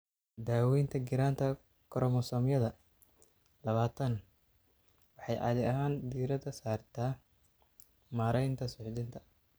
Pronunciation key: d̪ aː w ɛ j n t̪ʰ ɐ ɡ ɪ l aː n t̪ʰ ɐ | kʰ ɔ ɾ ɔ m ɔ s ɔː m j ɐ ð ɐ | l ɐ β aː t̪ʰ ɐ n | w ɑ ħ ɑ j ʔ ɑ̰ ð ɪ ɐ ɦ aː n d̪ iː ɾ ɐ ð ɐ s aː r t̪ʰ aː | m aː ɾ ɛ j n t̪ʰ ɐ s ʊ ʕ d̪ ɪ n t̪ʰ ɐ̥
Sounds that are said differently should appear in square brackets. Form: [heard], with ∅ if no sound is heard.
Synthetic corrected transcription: d̪ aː w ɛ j n t̪ʰ ɐ ɡ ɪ [ɾ] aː n t̪ʰ ɐ | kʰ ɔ ɾ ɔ m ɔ s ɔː m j ɐ ð ɐ | l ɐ β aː t̪ʰ ɐ n | w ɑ ħ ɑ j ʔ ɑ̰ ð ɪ ɐ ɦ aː n d̪ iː ɾ ɐ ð ɐ s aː r t̪ʰ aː | m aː ɾ ɛ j n t̪ʰ ɐ s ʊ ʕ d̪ ɪ n t̪ʰ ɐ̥